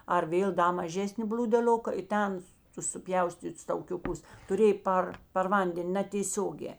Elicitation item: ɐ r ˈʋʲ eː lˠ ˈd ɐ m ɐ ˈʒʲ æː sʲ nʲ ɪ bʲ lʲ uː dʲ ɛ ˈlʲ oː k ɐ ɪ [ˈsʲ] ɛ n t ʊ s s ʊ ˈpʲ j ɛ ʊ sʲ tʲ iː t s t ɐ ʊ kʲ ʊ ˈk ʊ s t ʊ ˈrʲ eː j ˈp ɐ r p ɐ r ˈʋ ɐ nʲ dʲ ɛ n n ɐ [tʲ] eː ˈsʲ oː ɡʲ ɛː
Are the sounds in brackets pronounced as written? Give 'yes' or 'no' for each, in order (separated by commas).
no, yes